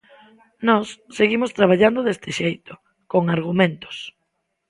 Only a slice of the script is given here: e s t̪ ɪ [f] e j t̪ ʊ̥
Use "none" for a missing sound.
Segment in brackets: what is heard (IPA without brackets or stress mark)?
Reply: ʃ